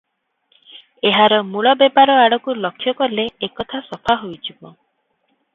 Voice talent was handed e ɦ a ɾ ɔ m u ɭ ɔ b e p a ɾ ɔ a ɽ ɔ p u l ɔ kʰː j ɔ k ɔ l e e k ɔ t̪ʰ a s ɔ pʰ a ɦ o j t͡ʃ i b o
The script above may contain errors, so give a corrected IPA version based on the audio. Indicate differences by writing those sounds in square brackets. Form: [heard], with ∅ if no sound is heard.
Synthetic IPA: e ɦ a ɾ ɔ m u ɭ ɔ b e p a ɾ ɔ a ɽ ɔ [k] u l ɔ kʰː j ɔ k ɔ l e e k ɔ t̪ʰ a s ɔ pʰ a ɦ o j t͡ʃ i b [ɔ]